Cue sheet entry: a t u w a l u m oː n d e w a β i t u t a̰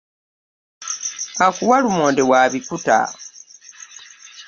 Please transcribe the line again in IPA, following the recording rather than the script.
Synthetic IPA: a k u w a l u m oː n d e w a β i k u t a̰